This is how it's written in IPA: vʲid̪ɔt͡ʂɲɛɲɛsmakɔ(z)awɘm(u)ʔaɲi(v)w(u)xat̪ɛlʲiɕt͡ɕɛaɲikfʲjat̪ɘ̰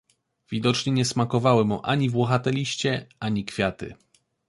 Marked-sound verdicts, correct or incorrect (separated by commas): incorrect, correct, correct, incorrect